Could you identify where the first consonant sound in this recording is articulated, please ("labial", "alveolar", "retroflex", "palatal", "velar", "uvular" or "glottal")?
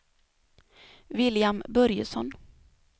labial